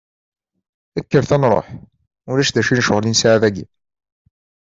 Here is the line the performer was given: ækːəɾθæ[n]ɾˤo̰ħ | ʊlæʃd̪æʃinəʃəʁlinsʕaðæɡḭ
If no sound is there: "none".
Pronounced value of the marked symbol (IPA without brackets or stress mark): n